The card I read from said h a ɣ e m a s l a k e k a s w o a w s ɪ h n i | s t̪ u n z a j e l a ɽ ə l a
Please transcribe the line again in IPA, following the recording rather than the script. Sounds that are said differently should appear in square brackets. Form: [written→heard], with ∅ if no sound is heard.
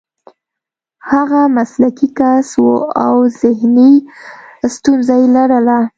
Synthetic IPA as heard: h a ɣ [e→a] m a s l a k [e→i] k a s w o a w [s→z] ɪ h n i | s t̪ u n z a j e l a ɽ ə l a